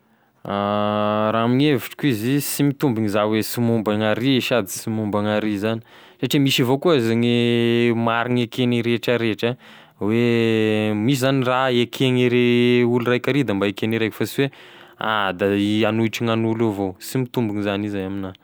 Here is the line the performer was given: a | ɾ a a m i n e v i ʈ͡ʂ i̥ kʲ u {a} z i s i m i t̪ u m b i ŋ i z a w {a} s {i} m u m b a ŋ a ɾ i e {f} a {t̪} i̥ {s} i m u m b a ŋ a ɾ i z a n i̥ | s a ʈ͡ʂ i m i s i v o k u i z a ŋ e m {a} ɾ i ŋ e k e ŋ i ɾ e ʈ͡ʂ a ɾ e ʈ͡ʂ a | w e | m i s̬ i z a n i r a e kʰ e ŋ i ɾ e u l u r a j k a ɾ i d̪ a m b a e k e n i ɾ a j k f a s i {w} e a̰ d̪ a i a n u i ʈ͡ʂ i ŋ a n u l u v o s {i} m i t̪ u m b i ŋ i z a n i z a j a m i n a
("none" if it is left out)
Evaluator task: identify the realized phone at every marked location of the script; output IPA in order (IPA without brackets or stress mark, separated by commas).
i, e, i, ʃ, d̪, s, a, w, i